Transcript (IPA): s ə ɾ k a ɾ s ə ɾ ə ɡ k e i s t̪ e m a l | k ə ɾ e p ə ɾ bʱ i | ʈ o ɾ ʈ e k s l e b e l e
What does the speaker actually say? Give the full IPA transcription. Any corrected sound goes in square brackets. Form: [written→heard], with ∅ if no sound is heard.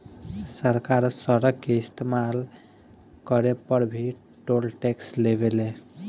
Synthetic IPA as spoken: s ə ɾ k a ɾ s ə ɾ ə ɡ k e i s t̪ e m a l | k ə ɾ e p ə ɾ bʱ i | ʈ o [ɾ→l] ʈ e k s l e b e l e